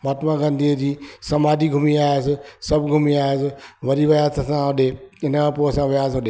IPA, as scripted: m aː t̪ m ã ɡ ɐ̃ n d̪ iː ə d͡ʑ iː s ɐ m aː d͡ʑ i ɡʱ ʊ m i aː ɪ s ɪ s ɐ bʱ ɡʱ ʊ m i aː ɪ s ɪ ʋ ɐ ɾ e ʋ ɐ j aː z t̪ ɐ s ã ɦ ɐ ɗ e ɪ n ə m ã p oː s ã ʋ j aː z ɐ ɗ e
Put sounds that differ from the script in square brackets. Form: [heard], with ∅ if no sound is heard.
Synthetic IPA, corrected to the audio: m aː t̪ m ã ɡ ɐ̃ n d̪ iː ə d͡ʑ iː s ɐ m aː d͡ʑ i ɡʱ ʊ m i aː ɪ s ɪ s ɐ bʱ ɡʱ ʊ m i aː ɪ s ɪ ʋ ɐ ɾ [i] ʋ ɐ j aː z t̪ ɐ s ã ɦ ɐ ɗ e ɪ n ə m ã p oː s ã ʋ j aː z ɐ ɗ e